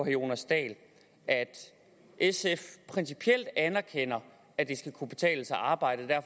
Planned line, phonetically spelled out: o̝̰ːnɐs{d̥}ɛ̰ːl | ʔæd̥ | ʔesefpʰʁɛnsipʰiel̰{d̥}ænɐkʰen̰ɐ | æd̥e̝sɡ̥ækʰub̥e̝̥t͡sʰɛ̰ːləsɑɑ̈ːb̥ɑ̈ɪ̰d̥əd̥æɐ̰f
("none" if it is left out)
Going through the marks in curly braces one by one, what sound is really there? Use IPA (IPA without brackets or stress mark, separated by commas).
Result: d̥, d̥